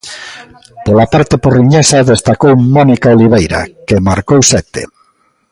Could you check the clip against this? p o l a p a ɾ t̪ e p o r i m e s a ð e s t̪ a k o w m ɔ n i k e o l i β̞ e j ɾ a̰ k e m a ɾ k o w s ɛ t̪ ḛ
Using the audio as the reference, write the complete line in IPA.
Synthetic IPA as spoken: p o l a p a ɾ t̪ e p o r i ɲ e s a ð e s t̪ a k o w m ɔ n i k a o l i β̞ e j ɾ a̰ k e m a ɾ k o w s ɛ t̪ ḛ